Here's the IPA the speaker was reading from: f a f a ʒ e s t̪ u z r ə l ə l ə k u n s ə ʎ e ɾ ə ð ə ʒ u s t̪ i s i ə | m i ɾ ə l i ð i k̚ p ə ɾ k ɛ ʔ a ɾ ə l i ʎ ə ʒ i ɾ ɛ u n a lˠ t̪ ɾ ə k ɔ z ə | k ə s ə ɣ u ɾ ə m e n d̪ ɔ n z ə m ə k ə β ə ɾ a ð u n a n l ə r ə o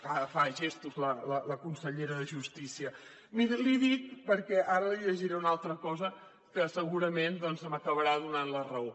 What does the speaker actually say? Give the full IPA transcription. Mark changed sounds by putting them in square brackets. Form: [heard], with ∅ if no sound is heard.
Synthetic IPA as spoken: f a f a ʒ e s t̪ u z [l] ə l ə l ə k u n s ə ʎ e ɾ ə ð ə ʒ u s t̪ i s i ə | m i ɾ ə l i ð i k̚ p ə ɾ k ɛ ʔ a ɾ ə l i ʎ ə ʒ i ɾ ɛ u n a lˠ t̪ ɾ ə k ɔ z ə | k ə s ə ɣ u ɾ ə m e n d̪ ɔ n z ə m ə k ə β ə ɾ a ð u n a n l ə r ə o